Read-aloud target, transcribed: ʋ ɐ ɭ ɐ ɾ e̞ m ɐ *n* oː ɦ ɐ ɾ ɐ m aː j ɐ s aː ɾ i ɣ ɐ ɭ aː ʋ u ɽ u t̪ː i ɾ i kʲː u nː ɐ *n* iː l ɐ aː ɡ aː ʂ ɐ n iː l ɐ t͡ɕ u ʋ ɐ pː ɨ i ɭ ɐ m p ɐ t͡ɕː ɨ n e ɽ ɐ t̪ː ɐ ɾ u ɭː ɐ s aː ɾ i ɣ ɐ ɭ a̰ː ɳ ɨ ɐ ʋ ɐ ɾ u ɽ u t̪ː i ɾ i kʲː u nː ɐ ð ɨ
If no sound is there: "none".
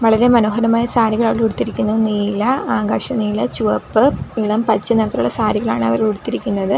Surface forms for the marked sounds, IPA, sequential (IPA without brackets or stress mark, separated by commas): n, n